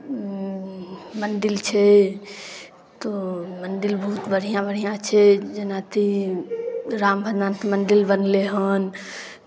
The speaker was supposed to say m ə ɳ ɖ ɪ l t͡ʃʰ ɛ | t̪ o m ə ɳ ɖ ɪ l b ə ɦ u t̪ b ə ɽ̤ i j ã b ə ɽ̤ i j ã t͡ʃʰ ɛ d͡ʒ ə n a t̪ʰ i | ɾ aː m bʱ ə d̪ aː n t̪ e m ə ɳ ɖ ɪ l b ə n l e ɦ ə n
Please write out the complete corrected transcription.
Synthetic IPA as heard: m ə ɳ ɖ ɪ l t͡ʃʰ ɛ | t̪ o m ə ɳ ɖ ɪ l b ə ɦ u t̪ b ə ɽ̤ i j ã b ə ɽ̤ i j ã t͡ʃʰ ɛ d͡ʒ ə n a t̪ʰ i | ɾ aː m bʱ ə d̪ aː n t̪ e m ə ɳ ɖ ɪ l b ə n l e ɦ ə n

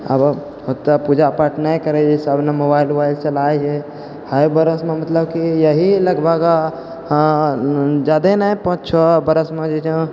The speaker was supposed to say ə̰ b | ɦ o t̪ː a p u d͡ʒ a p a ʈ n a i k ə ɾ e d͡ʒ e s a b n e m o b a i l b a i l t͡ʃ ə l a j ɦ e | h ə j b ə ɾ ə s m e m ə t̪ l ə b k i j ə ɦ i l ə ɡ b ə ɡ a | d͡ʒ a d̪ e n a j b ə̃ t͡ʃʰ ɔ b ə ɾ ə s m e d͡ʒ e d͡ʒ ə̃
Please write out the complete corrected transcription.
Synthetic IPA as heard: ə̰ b | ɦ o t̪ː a p u d͡ʒ a p a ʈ n a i k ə ɾ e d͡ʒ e s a b n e m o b a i l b a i l t͡ʃ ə l a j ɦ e | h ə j b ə ɾ ə s m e m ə t̪ l ə b k i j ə ɦ i l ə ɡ b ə ɡ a | d͡ʒ a d̪ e n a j p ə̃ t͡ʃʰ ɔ b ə ɾ ə s m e d͡ʒ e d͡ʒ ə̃

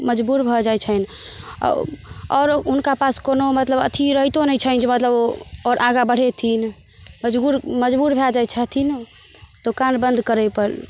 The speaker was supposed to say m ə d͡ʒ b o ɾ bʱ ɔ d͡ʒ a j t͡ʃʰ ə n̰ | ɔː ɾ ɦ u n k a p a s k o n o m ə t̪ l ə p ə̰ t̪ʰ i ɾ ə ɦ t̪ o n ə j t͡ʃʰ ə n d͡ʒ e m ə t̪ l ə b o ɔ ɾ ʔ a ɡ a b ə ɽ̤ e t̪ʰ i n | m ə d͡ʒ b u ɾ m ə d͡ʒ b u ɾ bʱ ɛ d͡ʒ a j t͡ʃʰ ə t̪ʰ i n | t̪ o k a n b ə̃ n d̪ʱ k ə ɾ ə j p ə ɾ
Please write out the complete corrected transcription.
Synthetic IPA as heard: m ə d͡ʒ b u ɾ bʱ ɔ d͡ʒ a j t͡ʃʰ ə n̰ | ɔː ɾ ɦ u n k a p a s k o n o m ə t̪ l ə b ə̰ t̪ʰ i ɾ ə ɦ t̪ o n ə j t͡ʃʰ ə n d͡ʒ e m ə t̪ l ə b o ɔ ɾ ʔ a ɡ a b ə ɽ̤ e t̪ʰ i n | m ə d͡ʒ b u ɾ m ə d͡ʒ b u ɾ bʱ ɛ d͡ʒ a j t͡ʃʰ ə t̪ʰ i n | t̪ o k a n b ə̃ n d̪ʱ k ə ɾ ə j p ə ɾ

